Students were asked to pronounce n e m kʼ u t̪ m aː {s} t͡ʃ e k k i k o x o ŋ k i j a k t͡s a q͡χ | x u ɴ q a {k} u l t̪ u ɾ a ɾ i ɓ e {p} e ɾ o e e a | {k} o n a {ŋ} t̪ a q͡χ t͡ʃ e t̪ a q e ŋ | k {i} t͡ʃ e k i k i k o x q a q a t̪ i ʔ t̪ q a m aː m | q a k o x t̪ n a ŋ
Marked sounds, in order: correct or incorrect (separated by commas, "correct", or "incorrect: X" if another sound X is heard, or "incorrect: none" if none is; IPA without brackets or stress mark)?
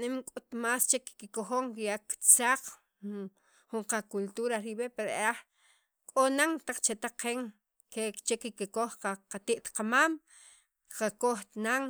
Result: correct, correct, correct, incorrect: kʼ, correct, incorrect: e